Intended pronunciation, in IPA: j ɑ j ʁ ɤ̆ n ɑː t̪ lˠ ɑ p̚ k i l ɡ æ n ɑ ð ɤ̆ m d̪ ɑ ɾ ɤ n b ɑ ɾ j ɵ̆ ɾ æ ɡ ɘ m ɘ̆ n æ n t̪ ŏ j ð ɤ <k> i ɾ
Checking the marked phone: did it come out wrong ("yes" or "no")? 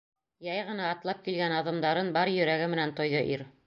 yes